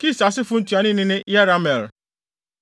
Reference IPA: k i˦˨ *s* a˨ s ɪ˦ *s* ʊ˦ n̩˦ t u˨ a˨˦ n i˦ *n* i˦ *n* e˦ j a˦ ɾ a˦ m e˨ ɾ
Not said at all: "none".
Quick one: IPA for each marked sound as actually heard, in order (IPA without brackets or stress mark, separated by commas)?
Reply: s, f, n, n